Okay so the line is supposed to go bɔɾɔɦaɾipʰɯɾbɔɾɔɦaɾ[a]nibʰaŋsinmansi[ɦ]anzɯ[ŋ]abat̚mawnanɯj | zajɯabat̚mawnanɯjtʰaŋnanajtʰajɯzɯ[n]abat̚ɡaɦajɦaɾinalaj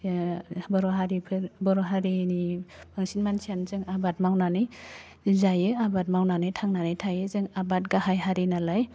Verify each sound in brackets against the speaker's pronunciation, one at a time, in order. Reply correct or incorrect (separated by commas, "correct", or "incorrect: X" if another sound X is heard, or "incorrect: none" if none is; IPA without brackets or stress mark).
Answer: incorrect: i, incorrect: none, correct, incorrect: ŋ